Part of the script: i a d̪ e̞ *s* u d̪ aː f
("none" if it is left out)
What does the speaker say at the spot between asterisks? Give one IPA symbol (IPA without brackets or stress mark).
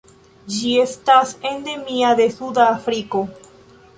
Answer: s